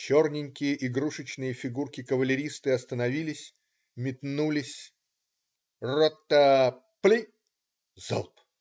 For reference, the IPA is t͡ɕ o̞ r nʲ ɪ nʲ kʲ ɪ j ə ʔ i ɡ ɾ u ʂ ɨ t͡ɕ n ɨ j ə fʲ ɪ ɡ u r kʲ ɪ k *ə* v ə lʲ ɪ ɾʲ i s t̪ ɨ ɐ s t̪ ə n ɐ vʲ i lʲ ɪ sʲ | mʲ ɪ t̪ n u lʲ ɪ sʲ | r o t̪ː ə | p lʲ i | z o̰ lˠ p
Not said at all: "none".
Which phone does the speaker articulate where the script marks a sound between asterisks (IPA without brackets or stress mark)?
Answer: ə